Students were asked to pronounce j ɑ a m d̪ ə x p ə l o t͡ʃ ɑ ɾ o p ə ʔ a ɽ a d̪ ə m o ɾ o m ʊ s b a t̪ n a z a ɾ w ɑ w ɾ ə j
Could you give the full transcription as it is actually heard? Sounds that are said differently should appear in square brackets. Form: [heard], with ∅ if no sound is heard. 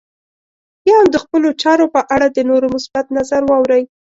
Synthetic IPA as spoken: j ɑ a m d̪ ə x p ə l o t͡ʃ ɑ ɾ o p ə ʔ a ɽ a d̪ ə [n] o ɾ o m ʊ s b a t̪ n a z a ɾ w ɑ w ɾ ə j